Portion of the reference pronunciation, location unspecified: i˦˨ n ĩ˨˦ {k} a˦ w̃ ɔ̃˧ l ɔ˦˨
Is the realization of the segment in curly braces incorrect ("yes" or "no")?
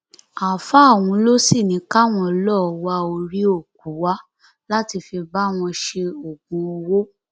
no